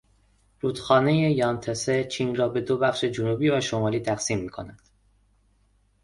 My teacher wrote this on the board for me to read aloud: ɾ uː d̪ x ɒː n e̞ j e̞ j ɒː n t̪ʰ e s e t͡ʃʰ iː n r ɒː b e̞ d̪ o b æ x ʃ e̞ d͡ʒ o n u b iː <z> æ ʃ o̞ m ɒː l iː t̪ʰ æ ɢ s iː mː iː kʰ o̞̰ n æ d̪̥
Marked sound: incorrect: v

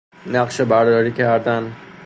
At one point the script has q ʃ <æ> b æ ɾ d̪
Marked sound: incorrect: e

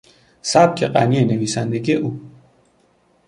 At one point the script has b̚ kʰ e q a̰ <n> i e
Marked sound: correct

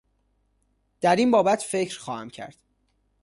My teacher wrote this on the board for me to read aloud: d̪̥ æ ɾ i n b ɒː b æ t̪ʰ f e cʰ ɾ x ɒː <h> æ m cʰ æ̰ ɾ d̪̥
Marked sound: correct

